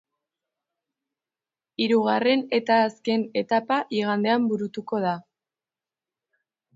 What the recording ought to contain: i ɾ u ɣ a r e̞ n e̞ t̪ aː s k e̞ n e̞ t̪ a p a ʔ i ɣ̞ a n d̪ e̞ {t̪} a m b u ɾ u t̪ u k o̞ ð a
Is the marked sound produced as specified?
no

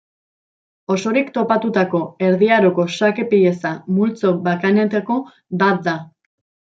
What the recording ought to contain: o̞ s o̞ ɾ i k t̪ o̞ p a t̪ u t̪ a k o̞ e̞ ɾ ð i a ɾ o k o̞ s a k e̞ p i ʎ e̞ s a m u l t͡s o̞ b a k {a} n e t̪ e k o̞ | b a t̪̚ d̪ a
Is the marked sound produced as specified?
yes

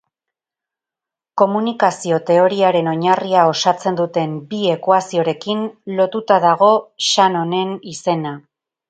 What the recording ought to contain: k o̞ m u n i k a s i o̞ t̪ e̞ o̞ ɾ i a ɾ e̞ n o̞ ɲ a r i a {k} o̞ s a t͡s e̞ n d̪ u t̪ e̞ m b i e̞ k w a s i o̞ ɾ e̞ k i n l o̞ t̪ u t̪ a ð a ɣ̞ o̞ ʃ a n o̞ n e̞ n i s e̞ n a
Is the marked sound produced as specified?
no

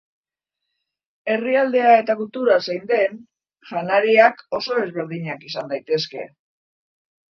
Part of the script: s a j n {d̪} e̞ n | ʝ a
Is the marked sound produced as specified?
yes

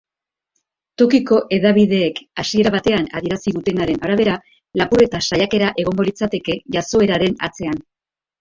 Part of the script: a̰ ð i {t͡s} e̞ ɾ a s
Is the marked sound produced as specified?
no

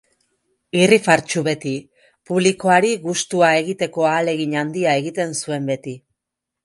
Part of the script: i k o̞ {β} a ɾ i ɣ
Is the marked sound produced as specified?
no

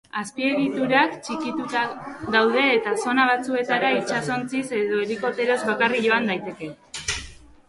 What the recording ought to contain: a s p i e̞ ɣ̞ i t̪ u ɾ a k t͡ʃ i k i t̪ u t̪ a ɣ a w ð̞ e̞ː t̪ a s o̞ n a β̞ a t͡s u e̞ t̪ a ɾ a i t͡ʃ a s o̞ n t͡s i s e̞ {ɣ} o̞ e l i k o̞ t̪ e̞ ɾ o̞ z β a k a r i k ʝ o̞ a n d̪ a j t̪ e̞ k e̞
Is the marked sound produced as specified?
no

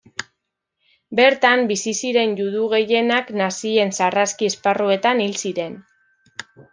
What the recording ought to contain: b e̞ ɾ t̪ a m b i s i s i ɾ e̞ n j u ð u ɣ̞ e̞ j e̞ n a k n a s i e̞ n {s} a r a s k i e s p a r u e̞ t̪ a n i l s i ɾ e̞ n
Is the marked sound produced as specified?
yes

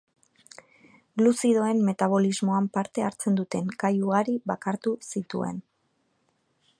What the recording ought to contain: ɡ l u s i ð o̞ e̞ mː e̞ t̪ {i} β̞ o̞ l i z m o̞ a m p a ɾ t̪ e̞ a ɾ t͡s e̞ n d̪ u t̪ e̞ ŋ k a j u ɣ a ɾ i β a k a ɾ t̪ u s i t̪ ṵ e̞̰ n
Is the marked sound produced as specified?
no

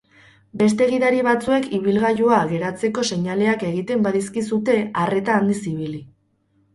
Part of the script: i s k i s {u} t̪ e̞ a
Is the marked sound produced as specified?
yes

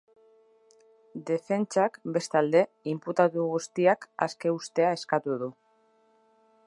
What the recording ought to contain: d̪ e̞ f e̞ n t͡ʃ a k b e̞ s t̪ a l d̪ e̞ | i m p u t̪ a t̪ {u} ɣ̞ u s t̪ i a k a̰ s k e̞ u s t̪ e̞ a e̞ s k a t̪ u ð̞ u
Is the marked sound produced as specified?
yes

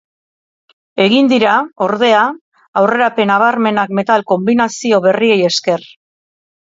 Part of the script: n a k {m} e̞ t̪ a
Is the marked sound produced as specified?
yes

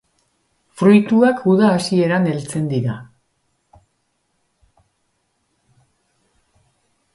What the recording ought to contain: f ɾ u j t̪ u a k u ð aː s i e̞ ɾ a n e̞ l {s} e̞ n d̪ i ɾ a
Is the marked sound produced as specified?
no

